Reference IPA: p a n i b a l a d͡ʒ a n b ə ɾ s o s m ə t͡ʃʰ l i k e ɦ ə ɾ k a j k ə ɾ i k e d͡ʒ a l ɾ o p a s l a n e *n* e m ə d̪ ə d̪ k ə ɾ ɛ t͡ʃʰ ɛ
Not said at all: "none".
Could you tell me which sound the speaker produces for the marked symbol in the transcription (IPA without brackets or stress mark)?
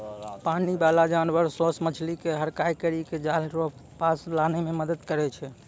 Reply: m